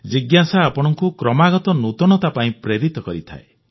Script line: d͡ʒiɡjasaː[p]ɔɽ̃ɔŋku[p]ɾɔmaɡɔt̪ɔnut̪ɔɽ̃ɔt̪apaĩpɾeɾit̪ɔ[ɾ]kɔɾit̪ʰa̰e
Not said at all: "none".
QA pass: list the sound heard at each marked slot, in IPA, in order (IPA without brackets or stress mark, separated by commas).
p, k, none